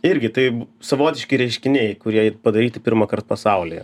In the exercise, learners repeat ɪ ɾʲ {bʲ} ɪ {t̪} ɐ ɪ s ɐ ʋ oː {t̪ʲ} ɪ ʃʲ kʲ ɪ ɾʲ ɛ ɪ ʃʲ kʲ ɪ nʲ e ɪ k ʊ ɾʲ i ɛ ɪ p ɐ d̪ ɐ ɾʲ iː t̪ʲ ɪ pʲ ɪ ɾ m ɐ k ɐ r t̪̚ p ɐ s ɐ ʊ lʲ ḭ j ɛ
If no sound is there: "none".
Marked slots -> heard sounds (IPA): ɡʲ, t̪, t̪ʲ

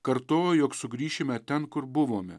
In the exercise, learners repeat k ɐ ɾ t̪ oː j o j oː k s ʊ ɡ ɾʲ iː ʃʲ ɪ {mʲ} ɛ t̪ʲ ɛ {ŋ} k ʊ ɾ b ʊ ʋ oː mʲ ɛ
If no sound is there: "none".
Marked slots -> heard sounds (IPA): mʲ, n

